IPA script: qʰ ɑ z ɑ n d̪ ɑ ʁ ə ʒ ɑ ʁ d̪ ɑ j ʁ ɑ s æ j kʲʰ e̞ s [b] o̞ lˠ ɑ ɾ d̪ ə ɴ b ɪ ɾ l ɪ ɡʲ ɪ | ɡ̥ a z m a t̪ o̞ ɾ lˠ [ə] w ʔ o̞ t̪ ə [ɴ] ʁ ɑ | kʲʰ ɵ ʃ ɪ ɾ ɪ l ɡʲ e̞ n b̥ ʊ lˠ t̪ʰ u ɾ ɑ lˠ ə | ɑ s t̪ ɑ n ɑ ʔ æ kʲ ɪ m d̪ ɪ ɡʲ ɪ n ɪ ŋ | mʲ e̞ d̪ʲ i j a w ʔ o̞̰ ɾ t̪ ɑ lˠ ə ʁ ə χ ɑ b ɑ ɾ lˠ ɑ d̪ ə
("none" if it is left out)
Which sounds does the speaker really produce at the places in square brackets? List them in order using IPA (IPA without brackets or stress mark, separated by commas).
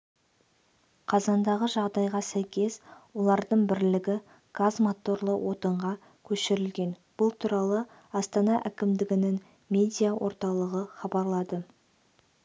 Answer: w, ə, ɴ